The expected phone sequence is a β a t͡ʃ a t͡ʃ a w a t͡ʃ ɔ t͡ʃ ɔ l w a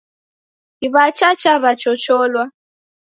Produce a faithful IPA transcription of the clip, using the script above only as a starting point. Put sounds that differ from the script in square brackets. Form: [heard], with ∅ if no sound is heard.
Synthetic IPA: [i] β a t͡ʃ a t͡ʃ a [β] a t͡ʃ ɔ t͡ʃ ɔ l w a